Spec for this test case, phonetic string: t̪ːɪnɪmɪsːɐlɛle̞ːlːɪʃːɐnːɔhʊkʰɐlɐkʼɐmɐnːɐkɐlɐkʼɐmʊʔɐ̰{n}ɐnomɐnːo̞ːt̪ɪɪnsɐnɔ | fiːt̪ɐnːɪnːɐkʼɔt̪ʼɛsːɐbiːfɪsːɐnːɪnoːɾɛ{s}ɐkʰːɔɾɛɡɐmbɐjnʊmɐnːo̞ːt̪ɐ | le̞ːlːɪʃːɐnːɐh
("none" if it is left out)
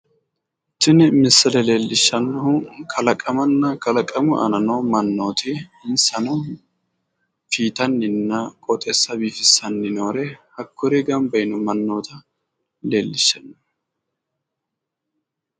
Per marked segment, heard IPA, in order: n, h

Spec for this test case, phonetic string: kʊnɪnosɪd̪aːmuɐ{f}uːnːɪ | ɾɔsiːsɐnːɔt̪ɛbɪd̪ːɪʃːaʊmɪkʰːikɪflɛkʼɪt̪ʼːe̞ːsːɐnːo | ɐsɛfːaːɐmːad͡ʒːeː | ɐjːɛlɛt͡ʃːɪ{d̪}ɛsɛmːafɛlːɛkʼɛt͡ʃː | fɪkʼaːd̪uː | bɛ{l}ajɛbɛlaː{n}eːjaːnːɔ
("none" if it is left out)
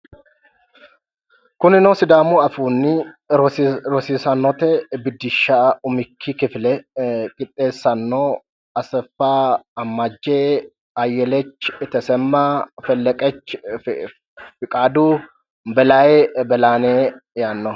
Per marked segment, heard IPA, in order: f, t̪, l, n

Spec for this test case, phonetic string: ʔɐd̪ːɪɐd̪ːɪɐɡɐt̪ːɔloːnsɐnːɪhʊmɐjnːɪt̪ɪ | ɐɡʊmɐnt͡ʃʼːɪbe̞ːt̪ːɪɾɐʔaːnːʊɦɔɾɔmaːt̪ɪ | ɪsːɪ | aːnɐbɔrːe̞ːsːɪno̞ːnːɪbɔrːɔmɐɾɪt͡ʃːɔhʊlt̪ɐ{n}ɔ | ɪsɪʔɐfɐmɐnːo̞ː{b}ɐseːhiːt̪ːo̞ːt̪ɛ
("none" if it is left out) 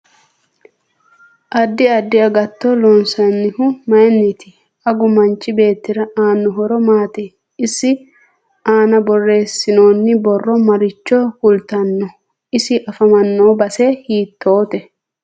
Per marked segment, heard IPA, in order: nː, b

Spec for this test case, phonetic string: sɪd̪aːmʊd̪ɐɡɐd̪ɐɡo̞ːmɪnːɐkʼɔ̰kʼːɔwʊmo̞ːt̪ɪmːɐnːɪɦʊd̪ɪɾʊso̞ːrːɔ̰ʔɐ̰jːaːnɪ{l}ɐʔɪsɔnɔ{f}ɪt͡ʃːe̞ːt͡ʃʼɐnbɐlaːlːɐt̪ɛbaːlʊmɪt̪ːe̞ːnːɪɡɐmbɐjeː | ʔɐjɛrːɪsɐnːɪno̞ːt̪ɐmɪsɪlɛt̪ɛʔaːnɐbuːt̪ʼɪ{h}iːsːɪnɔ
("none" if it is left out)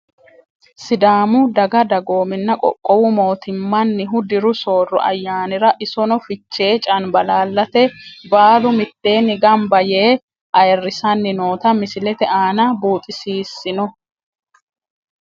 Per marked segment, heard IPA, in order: ɾ, f, s

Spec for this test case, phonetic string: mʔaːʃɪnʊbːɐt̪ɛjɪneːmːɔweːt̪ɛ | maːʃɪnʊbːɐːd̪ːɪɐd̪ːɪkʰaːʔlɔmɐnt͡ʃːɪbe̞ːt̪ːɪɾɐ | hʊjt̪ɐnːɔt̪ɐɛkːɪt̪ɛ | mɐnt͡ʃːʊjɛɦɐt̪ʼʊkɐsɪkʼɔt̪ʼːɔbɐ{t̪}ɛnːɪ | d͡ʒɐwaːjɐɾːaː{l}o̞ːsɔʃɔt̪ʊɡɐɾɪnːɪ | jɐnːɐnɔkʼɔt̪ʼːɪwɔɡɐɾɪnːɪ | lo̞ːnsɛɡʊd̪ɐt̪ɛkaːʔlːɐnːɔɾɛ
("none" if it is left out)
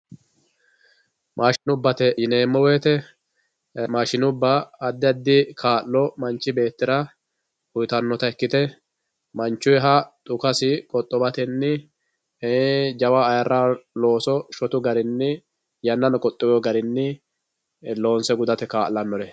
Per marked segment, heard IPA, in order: t̪, l

